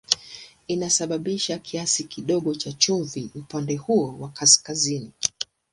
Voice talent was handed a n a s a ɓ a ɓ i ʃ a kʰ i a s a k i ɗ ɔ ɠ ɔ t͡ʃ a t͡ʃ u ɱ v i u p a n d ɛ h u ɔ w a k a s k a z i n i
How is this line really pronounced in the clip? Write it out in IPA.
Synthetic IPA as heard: i n a s a ɓ a ɓ i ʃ a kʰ i a s i k i ɗ ɔ ɠ ɔ t͡ʃ a t͡ʃ u ɱ v i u p a n d ɛ h u ɔ w a k a s k a z i n i